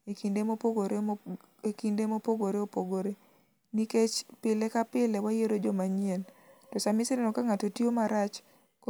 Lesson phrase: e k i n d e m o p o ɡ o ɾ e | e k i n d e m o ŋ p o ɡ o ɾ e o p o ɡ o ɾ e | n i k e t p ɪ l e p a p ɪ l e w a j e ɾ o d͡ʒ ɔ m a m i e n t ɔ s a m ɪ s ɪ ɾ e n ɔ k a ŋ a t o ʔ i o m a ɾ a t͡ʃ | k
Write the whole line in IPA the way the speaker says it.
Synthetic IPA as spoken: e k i n d e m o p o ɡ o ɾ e | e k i n d e m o p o ɡ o ɾ e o p o ɡ o ɾ e | n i k e t͡ʃ p ɪ l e k a p ɪ l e w a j e ɾ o d͡ʒ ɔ m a ɲ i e n t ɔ s a m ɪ s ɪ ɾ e n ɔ k a ŋ a t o t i o m a ɾ a t͡ʃ | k